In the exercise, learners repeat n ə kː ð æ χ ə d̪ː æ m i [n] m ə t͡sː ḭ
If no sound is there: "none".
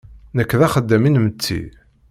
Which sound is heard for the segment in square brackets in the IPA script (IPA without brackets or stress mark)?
n